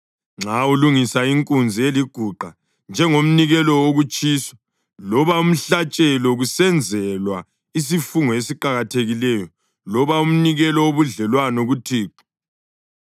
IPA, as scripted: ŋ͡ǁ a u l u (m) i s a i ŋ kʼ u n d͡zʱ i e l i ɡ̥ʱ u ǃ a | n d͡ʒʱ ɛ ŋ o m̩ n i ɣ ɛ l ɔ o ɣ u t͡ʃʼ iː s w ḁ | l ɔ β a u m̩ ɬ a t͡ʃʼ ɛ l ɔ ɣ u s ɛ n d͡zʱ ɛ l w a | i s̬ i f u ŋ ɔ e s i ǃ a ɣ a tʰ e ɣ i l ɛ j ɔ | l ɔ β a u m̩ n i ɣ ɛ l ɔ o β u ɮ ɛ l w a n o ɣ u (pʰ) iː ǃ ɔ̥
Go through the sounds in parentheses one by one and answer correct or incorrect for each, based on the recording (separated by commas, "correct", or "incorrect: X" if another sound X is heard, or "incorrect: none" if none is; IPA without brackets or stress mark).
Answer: incorrect: ŋ, incorrect: tʰ